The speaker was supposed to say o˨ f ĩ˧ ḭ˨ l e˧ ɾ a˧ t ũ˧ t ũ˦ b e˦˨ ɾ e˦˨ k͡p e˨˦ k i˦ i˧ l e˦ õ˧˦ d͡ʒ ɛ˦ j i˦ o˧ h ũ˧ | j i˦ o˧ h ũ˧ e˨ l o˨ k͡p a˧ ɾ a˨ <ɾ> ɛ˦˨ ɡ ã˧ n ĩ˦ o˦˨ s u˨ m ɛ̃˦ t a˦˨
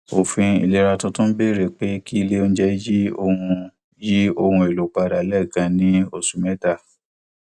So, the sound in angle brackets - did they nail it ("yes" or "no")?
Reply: no